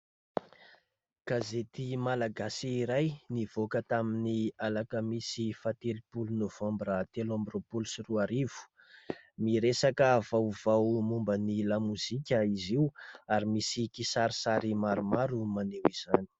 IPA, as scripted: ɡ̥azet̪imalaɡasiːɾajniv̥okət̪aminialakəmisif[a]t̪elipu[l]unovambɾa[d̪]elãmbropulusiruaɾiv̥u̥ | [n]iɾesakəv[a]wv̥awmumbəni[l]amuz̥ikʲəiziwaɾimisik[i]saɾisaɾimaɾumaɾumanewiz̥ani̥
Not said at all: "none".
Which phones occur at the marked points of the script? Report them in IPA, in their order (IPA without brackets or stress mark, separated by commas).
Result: a, l, t̪, m, a, l, i